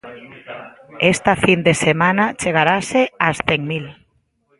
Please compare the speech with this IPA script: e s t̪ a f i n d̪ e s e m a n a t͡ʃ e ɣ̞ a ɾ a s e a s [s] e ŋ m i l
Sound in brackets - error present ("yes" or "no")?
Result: yes